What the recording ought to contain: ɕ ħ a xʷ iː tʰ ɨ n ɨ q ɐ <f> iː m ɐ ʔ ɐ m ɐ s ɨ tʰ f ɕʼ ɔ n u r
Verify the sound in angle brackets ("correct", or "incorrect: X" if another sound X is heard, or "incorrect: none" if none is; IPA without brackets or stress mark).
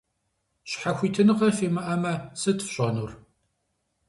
correct